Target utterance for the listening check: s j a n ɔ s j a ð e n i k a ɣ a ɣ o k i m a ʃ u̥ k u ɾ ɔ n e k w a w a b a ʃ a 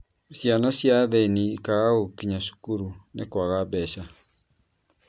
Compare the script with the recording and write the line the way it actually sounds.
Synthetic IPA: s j a n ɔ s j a ð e n i k a ɣ a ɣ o k i ɲ a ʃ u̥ k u ɾ u n e k w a ɣ a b ɛ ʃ a